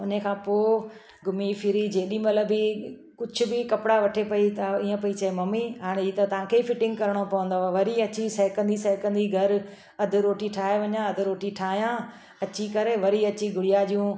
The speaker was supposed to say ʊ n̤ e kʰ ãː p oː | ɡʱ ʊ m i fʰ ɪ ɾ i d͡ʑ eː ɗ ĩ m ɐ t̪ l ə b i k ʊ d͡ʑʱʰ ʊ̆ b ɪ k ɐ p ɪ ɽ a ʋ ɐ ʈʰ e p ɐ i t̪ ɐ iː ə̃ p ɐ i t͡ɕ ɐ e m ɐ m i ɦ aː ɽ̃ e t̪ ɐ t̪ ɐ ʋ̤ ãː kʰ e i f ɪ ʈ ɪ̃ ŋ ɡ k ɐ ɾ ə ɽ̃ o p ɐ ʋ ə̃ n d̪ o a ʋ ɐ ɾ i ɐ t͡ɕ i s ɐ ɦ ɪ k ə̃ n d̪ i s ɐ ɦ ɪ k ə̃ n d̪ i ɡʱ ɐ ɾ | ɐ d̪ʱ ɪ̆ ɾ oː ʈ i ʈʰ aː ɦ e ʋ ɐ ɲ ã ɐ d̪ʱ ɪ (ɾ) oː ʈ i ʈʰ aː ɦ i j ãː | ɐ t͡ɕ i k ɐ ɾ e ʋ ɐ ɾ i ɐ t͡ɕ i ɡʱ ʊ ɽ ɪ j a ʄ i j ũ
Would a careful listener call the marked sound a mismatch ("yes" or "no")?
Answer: no